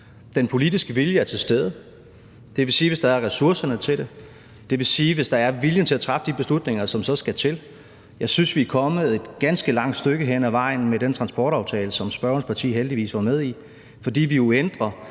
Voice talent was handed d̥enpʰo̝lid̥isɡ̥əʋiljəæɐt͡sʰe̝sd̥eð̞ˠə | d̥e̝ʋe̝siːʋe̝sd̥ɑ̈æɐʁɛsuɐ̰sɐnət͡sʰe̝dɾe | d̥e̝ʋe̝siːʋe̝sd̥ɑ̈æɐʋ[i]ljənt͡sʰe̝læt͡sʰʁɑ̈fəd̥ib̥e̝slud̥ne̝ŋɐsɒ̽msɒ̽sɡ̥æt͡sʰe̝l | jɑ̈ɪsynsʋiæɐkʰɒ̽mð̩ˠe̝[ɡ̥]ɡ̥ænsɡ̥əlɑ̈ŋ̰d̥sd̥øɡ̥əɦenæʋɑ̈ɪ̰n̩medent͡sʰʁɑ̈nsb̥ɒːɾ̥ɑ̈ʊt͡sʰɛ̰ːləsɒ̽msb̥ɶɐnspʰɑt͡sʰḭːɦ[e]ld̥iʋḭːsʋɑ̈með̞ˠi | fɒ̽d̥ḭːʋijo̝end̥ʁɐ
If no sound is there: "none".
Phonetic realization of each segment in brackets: i, d̥, e

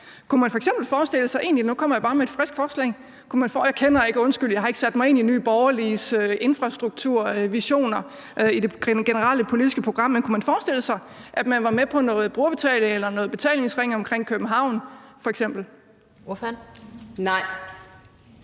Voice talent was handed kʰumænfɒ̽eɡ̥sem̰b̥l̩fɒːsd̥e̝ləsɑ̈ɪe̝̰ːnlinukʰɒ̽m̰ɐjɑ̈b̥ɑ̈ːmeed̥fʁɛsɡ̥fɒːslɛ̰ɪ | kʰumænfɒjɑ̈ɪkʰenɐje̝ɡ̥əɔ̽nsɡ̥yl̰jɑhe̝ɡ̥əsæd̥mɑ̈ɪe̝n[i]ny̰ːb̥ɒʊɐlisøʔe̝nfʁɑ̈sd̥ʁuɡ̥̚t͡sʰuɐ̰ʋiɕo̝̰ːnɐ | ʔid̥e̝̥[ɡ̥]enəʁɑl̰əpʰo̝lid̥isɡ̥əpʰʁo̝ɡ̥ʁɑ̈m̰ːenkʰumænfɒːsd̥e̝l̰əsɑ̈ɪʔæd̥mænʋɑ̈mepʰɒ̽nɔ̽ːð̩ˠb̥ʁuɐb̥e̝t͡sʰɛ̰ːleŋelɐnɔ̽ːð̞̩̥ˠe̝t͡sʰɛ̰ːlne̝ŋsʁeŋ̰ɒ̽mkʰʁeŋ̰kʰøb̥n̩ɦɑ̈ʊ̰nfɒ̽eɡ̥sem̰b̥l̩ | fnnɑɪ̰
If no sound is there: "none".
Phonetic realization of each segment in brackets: i, ɡ̥

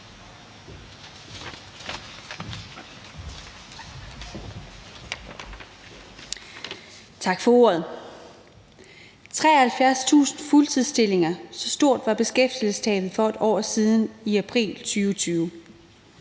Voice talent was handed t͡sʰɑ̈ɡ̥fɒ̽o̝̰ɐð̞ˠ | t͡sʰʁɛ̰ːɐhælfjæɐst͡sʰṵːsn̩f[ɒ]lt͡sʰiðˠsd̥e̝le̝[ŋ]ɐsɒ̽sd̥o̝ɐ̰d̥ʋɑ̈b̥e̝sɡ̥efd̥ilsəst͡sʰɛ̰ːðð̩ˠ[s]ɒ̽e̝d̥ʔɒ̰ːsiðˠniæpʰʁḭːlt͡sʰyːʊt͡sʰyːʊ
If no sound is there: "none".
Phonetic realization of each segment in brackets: u, ŋ, f

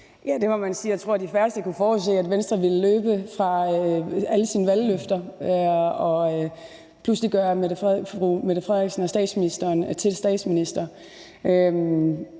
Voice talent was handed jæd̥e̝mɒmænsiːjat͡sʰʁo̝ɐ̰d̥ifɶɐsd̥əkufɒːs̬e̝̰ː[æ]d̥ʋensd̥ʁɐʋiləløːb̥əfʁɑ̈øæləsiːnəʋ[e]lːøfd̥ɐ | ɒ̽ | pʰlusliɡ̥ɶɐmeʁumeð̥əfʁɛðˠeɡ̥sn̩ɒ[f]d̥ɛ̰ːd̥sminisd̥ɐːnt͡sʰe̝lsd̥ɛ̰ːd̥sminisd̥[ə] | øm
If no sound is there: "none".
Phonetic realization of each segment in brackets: æ, æ, s, ɐ

